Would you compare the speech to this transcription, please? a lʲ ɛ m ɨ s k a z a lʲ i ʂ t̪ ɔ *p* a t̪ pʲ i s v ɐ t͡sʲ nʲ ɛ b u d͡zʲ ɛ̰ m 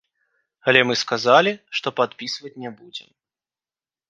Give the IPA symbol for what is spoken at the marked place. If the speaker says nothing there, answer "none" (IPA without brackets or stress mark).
p